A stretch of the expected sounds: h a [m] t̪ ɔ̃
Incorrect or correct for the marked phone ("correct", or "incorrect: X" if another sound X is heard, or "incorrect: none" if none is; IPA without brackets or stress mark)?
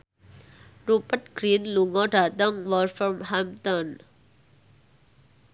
correct